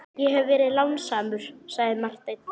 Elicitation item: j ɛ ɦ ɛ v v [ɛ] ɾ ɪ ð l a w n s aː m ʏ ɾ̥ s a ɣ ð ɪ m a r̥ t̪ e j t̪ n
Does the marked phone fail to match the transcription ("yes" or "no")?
yes